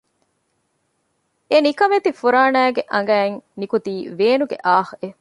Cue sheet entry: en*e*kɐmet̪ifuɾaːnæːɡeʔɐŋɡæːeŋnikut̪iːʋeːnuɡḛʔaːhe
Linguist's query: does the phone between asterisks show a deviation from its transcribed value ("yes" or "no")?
yes